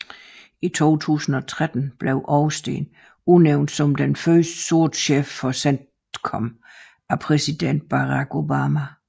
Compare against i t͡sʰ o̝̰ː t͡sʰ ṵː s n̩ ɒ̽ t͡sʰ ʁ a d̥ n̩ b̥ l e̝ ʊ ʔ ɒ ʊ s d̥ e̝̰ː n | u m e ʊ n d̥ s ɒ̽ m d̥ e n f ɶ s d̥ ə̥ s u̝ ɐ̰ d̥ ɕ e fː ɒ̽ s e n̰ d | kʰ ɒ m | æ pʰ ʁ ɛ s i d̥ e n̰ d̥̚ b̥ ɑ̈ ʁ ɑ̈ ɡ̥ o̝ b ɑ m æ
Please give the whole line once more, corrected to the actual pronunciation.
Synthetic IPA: i t͡sʰ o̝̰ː t͡sʰ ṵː s n̩ ɒ̽ t͡sʰ ʁ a d̥ n̩ b̥ l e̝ ʊ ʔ ɒ ʊ s d̥ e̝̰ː n | u n e ʊ n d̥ s ɒ̽ m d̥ e n f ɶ s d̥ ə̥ s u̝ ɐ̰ d̥ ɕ e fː ɒ̽ s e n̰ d | kʰ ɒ m | æ pʰ ʁ ɛ s i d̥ e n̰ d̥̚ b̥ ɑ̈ ʁ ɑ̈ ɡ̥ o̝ b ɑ m æ

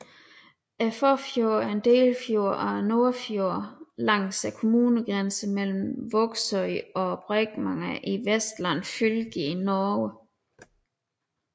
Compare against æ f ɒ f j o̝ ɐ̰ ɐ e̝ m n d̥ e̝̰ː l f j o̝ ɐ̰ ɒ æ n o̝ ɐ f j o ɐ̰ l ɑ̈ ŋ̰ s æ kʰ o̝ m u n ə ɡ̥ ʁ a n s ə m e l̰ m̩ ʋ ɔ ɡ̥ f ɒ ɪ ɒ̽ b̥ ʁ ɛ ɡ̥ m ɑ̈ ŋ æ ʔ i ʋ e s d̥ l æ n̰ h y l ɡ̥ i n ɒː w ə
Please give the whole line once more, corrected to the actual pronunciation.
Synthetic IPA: æ f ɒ f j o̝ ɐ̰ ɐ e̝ n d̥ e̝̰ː l f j o̝ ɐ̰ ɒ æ n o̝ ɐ f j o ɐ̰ l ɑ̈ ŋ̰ s æ kʰ o̝ m uː n ə ɡ̥ ʁ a n s ə m e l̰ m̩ ʋ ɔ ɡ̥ s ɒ ɪ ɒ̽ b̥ ʁ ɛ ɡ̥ m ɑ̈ ŋ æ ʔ i ʋ e s d̥ l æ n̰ f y l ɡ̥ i n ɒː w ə

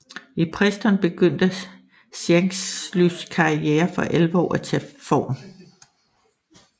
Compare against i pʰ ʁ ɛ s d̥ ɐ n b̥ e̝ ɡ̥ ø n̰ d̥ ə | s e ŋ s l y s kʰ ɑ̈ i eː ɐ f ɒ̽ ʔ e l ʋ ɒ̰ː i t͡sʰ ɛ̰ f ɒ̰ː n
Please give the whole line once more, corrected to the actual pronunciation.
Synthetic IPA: i pʰ ʁ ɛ s d̥ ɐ n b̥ e̝ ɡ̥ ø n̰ d̥ ə | s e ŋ s l y s kʰ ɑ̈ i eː ɐ f ɒ̽ ʔ e l ʋ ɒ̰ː æ t͡sʰ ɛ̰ f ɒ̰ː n

